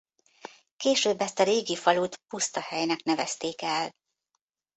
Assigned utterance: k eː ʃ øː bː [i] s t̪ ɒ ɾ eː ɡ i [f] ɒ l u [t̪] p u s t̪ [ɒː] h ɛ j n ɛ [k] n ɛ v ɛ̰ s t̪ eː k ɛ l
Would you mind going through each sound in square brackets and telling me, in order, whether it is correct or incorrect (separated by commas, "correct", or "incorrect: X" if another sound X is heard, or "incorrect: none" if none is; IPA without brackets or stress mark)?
incorrect: ɛ, correct, correct, incorrect: ɒ, correct